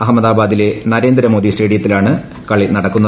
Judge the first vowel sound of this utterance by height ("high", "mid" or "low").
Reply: low